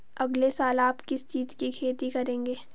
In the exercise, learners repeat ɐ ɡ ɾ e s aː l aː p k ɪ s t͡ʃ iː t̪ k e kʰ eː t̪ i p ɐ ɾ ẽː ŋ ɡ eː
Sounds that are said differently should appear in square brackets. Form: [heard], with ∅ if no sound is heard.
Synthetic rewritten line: ɐ ɡ [l] e s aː l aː p k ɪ s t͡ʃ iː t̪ k [i] kʰ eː t̪ i [k] ɐ ɾ ẽː ŋ ɡ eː

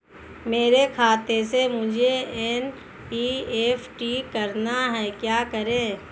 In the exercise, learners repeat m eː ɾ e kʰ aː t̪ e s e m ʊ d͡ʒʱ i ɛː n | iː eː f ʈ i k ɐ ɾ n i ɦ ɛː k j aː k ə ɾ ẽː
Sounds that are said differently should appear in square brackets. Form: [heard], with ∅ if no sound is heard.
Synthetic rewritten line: m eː ɾ e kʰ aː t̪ e s e m ʊ d͡ʒʱ [e] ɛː n | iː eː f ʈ i k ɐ ɾ n [a] ɦ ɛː k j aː k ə ɾ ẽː

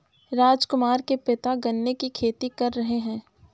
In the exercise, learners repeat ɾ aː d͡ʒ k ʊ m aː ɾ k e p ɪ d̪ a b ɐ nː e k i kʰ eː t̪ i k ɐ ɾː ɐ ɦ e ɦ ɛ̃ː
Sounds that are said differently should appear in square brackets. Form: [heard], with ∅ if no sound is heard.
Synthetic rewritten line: ɾ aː d͡ʒ k ʊ m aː ɾ k e p ɪ [t̪] a [ɡ] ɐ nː e k i kʰ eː t̪ i k ɐ ɾː ɐ ɦ e ɦ ɛ̃ː

